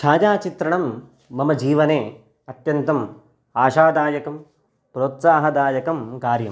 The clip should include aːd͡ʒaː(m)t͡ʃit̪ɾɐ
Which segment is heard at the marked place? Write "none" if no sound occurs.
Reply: none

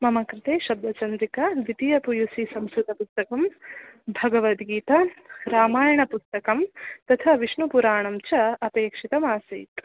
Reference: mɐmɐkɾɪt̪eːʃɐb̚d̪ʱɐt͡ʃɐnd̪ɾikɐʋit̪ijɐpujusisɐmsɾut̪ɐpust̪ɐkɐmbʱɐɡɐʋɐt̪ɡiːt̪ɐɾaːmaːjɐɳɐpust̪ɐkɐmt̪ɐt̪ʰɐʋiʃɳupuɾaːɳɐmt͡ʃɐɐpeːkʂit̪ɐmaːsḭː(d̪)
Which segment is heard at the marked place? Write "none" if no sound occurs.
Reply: t̪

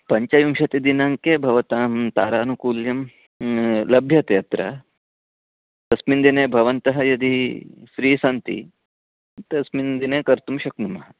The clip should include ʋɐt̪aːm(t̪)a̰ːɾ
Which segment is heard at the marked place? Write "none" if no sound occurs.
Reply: t̪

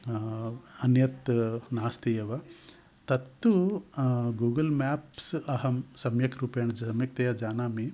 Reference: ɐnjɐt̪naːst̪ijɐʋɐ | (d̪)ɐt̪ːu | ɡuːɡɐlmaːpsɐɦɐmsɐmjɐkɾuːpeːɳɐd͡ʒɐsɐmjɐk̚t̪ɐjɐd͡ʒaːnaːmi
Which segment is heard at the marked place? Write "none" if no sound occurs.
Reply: t̪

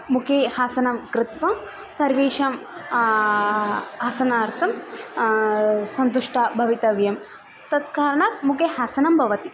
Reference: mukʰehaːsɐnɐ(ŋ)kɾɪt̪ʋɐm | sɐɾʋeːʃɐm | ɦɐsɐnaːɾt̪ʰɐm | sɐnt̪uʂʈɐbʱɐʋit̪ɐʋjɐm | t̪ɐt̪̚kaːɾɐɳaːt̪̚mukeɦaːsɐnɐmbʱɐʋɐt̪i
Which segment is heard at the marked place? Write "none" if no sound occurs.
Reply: m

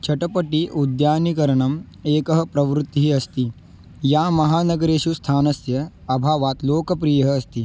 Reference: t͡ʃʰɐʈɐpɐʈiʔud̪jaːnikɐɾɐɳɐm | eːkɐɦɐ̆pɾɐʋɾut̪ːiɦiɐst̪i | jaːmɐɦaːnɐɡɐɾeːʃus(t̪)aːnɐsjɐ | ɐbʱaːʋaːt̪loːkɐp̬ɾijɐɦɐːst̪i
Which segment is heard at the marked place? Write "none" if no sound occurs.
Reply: t̪ʰ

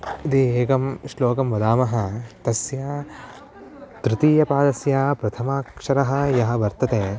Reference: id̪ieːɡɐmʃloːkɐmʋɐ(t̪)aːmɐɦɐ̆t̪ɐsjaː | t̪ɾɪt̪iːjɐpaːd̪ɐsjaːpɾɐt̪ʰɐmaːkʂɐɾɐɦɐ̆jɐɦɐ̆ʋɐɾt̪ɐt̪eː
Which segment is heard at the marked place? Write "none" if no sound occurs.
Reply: d̪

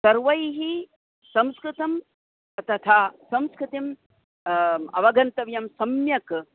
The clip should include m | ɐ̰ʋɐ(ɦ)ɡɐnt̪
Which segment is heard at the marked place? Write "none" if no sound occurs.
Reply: none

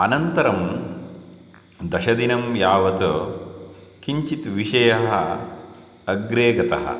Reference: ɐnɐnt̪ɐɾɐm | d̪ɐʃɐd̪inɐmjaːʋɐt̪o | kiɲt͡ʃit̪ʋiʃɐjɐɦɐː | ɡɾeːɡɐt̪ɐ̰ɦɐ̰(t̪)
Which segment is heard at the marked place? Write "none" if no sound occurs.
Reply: none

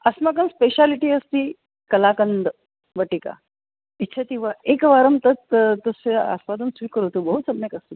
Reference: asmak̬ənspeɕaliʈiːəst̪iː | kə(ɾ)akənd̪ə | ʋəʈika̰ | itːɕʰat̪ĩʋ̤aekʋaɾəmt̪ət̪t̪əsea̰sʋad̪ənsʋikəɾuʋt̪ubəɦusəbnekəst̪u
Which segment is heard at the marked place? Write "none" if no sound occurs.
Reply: l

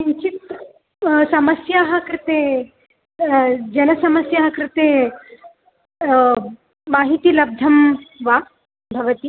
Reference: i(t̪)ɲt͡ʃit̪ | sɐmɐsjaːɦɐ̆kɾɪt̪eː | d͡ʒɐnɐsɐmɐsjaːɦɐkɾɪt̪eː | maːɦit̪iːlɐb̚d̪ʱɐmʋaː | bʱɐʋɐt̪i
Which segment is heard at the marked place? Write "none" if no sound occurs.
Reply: none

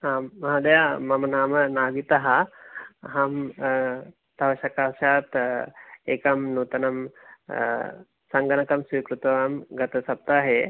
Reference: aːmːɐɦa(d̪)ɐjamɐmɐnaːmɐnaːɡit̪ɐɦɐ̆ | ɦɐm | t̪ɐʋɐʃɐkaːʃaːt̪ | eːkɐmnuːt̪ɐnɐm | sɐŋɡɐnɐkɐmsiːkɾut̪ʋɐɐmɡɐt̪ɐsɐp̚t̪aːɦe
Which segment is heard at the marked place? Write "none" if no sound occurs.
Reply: d̪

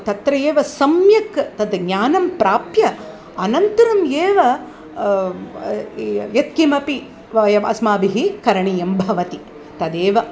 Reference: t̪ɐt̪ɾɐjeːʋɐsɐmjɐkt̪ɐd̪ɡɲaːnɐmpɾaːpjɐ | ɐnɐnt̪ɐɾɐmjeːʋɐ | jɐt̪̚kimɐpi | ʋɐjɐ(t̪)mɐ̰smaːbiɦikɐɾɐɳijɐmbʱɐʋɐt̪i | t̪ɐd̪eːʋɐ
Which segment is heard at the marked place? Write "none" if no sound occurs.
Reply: none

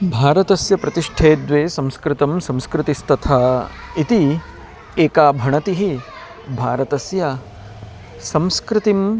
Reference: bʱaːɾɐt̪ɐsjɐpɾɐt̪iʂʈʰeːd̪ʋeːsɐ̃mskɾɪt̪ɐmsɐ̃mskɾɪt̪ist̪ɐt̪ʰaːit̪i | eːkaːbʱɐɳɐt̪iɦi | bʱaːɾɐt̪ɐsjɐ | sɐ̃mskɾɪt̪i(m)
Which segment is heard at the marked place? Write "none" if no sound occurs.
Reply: m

